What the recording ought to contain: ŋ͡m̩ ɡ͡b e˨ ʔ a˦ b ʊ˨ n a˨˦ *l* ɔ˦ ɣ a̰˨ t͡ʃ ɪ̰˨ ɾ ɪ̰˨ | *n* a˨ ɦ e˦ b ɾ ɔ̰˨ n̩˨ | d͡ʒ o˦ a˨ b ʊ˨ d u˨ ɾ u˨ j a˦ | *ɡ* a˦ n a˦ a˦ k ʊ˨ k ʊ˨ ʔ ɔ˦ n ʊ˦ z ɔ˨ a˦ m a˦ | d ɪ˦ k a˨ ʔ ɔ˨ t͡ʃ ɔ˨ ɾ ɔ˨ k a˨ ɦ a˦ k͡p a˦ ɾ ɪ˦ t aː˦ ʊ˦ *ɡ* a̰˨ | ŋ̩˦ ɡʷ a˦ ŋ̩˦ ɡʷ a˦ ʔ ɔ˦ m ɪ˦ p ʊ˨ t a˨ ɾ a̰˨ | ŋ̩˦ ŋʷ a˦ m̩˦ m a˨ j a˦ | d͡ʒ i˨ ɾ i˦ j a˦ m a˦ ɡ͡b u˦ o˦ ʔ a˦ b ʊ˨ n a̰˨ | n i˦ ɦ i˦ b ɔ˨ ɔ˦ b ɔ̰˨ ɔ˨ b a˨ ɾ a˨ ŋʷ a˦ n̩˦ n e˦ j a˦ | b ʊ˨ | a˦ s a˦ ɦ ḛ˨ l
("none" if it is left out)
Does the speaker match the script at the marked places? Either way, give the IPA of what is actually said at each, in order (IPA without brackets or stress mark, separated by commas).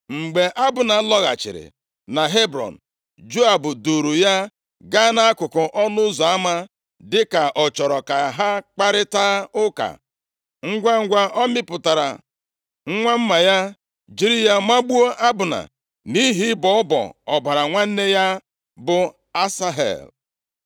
l, n, ɡ, k